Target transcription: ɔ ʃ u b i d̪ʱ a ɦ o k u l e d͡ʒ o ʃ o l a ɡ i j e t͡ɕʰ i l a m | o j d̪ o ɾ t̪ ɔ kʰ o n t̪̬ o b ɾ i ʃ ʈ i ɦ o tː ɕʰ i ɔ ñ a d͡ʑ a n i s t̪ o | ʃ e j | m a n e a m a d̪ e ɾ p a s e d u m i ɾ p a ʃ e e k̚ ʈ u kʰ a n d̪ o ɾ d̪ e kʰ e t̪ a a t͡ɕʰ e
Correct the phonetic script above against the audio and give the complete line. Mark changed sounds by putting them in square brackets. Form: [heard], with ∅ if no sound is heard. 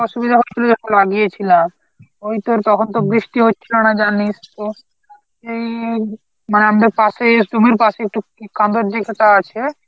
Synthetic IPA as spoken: ɔ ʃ u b i d̪ʱ a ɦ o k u l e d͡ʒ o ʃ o l a ɡ i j e t͡ɕʰ i l a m | o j [t̪] o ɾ t̪ ɔ kʰ o n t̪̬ o b ɾ i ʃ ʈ i ɦ o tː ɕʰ i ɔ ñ a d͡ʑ a n i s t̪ o | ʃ e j | m a n e a m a d̪ e ɾ p a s e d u m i ɾ p a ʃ e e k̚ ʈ u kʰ a n d̪ o ɾ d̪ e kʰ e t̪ a a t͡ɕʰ e